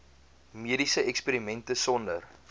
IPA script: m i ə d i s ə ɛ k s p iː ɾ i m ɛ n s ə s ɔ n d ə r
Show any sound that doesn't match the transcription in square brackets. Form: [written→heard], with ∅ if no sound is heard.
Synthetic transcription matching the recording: m i ə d i s ə ɛ k s p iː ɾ i m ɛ n [s→t] ə s ɔ n d ə r